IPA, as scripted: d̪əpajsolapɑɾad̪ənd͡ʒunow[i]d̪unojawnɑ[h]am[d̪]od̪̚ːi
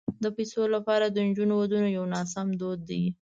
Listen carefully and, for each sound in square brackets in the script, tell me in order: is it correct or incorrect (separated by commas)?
incorrect, incorrect, correct